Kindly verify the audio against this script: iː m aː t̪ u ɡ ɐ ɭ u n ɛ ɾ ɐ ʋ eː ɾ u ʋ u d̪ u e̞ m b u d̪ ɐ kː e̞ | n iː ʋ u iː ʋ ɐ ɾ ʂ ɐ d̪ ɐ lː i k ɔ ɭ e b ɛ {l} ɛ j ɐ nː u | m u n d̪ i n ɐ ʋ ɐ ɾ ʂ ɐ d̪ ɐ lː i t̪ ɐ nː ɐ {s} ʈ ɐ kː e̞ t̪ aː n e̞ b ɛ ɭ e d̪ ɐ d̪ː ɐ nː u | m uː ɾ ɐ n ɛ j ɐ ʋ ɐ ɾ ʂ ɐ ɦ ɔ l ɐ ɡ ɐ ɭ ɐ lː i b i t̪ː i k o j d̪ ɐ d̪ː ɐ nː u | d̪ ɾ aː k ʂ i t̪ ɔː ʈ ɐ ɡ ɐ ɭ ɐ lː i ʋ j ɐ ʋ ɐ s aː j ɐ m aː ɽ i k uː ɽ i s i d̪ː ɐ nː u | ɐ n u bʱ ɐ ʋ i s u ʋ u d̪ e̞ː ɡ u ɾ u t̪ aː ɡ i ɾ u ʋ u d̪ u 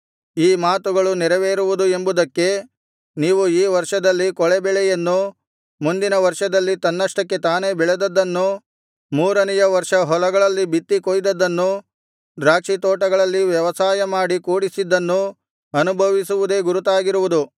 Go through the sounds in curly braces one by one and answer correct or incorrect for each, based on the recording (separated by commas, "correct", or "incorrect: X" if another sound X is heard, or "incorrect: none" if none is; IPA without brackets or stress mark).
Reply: incorrect: ɭ, incorrect: ʂ